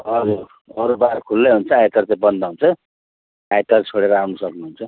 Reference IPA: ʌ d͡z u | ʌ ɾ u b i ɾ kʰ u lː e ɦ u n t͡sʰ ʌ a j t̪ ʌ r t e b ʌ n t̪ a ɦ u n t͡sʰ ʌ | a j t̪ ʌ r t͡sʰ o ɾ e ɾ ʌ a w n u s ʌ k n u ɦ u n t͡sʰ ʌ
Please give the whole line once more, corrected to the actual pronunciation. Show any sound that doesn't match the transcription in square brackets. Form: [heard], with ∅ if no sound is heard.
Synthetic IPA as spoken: ʌ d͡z u | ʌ ɾ u b [a] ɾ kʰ u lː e ɦ u n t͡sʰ ʌ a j t̪ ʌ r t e b ʌ n [d̪] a ɦ u n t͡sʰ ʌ | a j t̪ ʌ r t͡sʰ o [ɽ] e ɾ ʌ a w n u s ʌ k n u ɦ u n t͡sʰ ʌ